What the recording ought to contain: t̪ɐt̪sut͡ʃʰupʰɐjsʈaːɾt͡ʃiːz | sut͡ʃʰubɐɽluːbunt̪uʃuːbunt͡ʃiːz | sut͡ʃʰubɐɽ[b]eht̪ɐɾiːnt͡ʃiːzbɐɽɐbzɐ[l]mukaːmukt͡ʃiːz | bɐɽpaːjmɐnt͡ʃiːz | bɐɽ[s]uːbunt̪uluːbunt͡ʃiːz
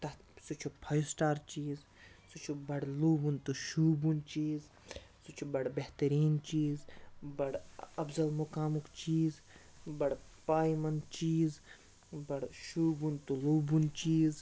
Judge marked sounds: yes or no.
yes, yes, no

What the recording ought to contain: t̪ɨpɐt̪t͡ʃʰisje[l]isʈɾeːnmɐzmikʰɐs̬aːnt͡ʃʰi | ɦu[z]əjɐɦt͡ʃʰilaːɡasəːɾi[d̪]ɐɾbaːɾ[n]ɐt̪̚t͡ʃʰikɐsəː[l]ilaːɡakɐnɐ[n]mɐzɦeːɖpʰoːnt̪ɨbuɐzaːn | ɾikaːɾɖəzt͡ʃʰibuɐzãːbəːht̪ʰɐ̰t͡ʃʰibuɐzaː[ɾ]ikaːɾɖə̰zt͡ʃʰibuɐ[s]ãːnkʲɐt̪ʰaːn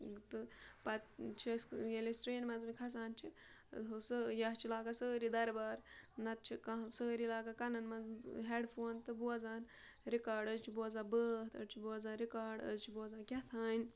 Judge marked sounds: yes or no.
yes, no, yes, yes, no, yes, yes, no

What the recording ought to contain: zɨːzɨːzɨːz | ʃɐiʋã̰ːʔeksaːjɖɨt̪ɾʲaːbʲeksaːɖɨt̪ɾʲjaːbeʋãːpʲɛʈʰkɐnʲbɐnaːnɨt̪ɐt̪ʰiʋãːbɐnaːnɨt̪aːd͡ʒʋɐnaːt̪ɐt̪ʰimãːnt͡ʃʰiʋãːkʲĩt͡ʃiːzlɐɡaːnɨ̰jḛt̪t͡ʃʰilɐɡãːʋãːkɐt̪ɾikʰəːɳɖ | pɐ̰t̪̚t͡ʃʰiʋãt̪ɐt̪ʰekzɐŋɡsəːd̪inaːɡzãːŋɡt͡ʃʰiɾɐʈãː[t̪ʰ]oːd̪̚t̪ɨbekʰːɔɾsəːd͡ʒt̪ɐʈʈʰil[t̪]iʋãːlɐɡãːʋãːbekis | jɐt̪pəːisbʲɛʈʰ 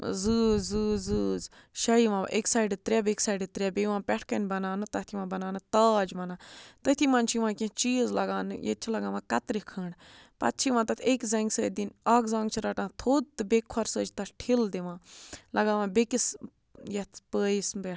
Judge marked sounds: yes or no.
yes, no

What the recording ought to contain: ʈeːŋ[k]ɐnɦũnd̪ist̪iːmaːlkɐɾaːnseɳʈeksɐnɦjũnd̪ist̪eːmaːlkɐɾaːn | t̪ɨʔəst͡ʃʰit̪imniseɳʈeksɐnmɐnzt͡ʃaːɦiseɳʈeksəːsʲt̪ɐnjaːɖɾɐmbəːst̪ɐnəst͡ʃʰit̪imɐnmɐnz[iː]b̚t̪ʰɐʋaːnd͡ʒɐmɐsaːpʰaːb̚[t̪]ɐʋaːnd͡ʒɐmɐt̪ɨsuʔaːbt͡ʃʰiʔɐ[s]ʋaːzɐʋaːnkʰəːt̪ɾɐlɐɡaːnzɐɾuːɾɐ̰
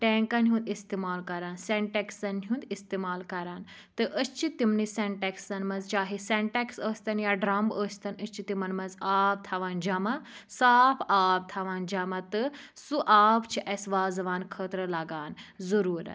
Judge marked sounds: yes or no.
yes, no, no, yes

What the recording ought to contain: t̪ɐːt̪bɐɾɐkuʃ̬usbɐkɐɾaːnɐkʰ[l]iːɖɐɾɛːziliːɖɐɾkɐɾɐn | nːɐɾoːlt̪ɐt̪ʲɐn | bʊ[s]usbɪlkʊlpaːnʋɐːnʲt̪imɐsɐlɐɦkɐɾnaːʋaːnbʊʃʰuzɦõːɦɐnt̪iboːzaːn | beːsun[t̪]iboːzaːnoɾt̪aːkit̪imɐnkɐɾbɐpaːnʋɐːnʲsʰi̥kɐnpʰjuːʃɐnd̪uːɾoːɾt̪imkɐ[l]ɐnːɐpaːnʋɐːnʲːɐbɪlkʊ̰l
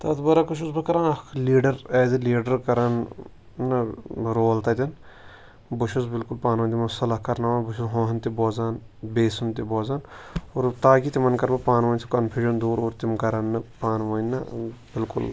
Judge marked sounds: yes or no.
yes, no, yes, no

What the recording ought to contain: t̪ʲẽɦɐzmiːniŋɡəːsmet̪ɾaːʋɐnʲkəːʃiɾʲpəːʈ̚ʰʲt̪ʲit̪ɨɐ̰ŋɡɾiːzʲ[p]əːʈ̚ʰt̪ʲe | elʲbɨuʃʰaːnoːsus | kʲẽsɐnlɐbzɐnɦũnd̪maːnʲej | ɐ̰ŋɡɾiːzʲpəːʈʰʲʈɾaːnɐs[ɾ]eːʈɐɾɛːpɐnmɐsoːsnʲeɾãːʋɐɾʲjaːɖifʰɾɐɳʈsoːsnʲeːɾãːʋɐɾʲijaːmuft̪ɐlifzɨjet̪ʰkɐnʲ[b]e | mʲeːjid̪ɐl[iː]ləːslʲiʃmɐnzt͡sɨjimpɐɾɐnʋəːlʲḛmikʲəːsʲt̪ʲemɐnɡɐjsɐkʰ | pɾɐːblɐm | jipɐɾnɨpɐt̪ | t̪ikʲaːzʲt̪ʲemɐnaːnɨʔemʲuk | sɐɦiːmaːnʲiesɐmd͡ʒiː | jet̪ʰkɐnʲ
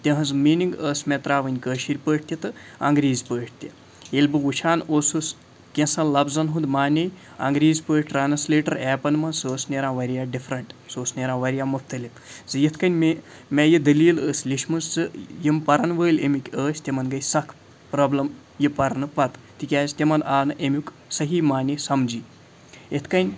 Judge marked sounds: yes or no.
yes, no, no, yes

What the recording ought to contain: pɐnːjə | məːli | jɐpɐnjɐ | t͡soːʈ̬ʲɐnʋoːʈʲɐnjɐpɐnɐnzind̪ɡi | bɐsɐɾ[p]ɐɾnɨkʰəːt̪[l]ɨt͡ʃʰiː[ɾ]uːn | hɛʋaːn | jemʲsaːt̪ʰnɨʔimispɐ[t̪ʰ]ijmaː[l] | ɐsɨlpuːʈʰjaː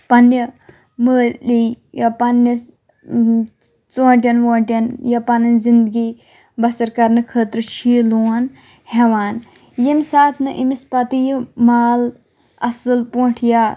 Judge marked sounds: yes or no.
no, no, no, no, yes

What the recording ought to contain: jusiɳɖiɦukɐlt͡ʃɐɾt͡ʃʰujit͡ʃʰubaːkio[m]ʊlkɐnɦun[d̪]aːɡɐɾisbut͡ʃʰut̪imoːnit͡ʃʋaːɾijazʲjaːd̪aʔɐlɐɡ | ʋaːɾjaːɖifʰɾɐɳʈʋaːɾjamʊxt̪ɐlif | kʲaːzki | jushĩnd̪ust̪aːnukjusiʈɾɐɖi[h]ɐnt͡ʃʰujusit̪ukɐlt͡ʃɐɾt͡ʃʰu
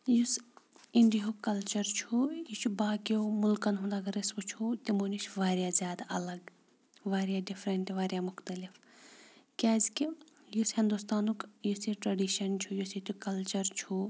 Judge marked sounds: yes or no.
yes, yes, no

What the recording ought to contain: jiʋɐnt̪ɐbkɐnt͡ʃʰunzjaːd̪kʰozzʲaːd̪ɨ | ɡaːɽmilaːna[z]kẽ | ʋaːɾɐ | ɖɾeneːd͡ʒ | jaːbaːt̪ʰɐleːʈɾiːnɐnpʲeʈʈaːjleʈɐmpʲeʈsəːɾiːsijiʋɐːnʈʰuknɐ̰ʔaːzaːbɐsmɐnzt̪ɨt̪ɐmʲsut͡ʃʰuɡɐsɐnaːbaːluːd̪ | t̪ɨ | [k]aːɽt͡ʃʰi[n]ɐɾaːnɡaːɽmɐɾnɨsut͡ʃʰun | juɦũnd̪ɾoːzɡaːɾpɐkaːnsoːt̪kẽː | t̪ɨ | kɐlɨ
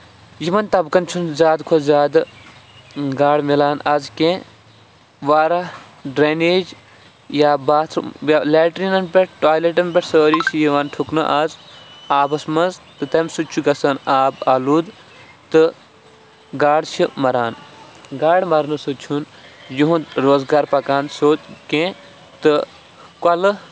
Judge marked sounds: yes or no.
yes, no, no

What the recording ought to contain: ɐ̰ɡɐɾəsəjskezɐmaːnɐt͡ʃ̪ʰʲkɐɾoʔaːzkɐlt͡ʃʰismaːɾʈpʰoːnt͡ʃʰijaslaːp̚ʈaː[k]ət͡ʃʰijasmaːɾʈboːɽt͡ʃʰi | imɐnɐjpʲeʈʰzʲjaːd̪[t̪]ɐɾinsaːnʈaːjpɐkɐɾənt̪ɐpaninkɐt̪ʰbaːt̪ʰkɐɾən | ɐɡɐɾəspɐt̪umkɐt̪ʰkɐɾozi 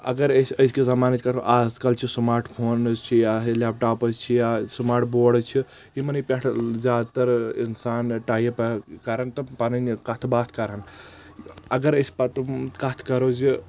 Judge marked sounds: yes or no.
no, yes

